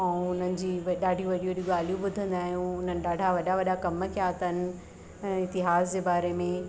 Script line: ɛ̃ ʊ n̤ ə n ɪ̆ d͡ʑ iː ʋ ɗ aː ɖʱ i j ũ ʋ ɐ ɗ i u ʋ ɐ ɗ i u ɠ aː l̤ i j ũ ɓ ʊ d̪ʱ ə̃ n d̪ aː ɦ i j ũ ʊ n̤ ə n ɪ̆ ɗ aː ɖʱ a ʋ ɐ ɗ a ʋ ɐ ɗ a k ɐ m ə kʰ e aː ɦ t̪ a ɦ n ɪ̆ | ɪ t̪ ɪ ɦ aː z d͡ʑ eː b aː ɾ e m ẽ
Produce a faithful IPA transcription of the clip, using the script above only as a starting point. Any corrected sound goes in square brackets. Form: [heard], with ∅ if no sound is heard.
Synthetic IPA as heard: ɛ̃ ʊ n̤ ə n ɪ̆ d͡ʑ iː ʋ ɗ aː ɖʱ i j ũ ʋ ɐ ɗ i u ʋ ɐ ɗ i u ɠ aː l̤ i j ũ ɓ ʊ d̪ʱ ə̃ n d̪ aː ɦ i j ũ ʊ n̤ ə n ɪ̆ ɗ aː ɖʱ a ʋ ɐ ɗ a ʋ ɐ ɗ a k ɐ m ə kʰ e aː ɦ t̪ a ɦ n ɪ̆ | ɪ t̪ ɪ ɦ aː z d͡ʑ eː b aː ɾ e m ẽ

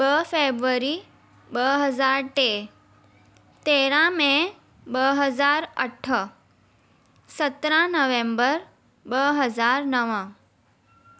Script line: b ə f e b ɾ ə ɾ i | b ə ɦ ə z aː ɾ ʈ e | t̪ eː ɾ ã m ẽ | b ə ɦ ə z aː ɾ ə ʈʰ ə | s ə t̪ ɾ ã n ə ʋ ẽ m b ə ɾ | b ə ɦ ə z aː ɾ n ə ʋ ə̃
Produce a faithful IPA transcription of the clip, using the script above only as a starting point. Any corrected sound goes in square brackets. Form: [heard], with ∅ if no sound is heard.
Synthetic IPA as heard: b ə f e b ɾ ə ɾ i | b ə ɦ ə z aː ɾ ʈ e | t̪ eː ɾ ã m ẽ | b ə ɦ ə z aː ɾ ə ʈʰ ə | s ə t̪ ɾ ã n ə ʋ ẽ m b ə ɾ | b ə ɦ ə z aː ɾ n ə ʋ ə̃

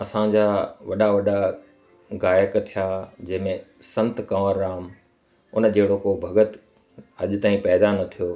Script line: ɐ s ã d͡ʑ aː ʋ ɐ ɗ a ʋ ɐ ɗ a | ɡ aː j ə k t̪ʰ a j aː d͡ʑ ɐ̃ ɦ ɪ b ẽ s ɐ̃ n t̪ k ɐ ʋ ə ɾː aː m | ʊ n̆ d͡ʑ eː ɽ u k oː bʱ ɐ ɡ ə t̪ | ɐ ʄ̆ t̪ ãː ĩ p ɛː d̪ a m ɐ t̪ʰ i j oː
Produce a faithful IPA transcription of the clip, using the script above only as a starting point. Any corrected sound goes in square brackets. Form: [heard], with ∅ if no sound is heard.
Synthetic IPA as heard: ɐ s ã d͡ʑ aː ʋ ɐ ɗ a ʋ ɐ ɗ a | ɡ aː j ə k t̪ʰ [i] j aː d͡ʑ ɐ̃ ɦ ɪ [m] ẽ s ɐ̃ n t̪ k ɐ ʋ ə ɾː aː m | ʊ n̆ d͡ʑ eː ɽ [o] k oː bʱ ɐ ɡ ə t̪ | ɐ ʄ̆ t̪ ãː ĩ p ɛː d̪ a [n] ɐ t̪ʰ i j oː

